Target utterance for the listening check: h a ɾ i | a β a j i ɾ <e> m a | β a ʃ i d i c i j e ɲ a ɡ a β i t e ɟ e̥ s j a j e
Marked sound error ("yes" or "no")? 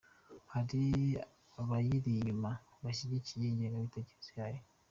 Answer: yes